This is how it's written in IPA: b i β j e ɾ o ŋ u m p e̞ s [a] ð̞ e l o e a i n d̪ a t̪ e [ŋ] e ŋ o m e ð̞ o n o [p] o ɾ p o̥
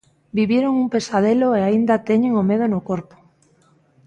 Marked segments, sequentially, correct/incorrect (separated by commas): correct, incorrect, incorrect